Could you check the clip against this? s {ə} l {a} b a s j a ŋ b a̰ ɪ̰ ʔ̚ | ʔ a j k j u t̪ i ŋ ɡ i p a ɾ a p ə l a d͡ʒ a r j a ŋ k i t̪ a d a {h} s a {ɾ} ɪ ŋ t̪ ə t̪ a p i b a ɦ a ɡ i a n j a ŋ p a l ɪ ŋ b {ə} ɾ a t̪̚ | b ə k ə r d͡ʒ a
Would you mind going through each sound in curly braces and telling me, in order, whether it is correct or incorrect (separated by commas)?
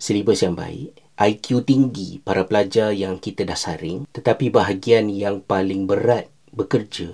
correct, incorrect, correct, correct, correct